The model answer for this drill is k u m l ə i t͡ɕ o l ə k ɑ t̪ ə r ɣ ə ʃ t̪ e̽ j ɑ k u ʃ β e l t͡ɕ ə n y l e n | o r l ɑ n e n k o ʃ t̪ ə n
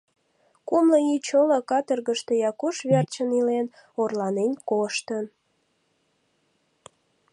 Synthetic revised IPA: k u m l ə i t͡ɕ o l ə k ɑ t̪ ə r ɣ ə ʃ t̪ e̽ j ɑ k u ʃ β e r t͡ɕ ə n i l e n | o r l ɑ n e n k o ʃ t̪ ə n